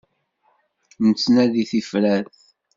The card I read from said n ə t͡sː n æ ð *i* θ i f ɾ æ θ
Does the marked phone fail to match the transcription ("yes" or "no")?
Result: no